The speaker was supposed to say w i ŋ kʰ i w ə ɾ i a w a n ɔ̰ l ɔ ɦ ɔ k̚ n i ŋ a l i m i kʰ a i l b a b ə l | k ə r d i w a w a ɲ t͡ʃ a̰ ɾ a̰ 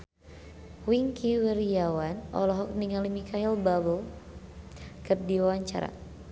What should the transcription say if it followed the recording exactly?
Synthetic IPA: w i ŋ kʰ i w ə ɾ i a w a n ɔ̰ l ɔ ɦ ɔ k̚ n i ŋ a l i m i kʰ a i l b a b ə l | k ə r d i w a w a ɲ t͡ʃ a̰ ɾ a̰